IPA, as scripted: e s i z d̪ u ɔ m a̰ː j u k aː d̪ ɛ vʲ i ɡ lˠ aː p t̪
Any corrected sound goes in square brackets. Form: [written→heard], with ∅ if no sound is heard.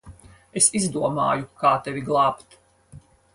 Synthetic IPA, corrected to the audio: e s i z d̪ u ɔ m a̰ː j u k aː [d̪→t̪] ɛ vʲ i ɡ lˠ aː p t̪